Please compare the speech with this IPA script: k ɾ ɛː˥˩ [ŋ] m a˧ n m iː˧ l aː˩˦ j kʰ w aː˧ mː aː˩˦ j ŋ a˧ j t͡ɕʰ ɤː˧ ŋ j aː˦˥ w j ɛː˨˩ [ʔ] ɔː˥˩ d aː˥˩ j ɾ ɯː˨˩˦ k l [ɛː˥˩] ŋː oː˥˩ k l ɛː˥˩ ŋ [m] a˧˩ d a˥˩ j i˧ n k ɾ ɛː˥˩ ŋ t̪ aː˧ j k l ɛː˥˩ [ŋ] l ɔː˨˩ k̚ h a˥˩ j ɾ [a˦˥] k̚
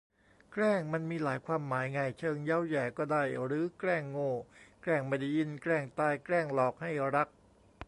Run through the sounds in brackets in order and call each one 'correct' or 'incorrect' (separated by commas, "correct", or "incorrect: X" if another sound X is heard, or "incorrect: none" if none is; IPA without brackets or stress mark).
correct, incorrect: k, correct, correct, correct, correct